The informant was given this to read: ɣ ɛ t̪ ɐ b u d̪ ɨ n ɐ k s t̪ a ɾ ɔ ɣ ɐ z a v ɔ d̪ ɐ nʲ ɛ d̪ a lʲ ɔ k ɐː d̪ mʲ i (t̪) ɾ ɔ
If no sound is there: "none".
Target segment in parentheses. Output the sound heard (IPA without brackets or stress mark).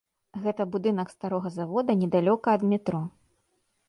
t̪